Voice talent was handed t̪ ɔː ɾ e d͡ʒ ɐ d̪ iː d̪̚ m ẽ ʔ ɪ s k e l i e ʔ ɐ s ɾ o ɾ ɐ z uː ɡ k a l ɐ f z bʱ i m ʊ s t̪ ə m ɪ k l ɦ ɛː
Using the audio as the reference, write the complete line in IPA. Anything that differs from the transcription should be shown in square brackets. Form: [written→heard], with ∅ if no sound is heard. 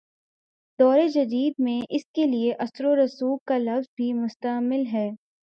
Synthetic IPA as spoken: [t̪→d̪] ɔː ɾ e d͡ʒ ɐ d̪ iː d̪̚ m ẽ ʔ ɪ s k e l i e ʔ ɐ s ɾ o ɾ ɐ [z→s] uː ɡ k a l ɐ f z bʱ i m ʊ s t̪ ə m ɪ [k→∅] l ɦ ɛː